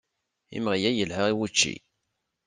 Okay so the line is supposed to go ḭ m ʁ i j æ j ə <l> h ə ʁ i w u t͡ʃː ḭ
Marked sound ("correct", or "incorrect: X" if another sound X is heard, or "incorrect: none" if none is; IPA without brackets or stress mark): correct